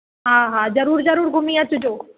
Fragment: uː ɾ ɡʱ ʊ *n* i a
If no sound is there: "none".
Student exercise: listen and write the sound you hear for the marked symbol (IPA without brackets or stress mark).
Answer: m